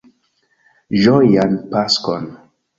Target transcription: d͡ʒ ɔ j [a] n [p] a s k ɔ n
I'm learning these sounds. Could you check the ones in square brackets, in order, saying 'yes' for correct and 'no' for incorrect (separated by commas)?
yes, yes